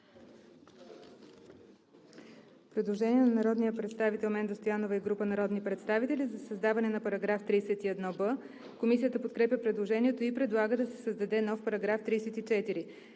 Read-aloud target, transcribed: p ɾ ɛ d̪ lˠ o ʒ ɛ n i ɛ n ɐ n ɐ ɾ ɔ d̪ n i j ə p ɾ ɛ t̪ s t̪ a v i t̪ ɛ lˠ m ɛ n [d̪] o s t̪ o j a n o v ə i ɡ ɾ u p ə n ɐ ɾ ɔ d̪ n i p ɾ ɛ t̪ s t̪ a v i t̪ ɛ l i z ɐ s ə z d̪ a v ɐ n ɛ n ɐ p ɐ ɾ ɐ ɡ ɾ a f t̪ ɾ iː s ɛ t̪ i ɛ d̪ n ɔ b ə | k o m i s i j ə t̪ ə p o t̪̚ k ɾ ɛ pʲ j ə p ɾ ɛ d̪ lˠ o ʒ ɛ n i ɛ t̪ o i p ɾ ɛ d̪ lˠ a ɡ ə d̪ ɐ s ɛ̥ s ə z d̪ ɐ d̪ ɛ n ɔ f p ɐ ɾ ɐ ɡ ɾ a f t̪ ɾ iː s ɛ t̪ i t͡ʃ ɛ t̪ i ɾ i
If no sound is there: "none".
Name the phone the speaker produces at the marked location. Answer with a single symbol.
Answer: d̪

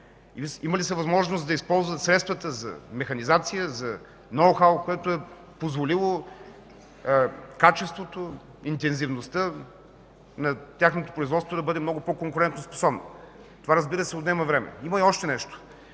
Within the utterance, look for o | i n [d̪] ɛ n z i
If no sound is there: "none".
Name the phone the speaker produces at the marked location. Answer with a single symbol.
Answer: t̪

